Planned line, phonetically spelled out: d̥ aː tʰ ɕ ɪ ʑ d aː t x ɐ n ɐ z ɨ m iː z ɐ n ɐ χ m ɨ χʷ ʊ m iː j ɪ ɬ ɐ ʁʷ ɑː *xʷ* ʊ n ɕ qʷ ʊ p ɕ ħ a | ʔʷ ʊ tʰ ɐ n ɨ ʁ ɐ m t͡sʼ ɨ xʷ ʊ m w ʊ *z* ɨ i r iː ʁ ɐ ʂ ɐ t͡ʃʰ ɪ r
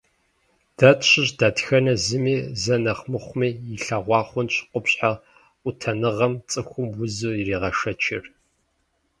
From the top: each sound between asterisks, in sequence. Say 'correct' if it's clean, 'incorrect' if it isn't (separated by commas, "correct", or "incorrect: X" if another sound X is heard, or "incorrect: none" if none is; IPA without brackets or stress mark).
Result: incorrect: χʷ, correct